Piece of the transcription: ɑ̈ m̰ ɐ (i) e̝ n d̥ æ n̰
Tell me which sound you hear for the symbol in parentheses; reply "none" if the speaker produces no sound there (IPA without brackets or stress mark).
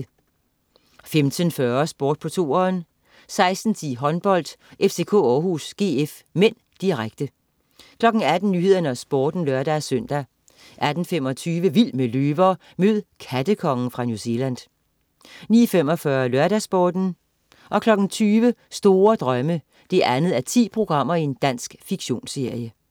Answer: i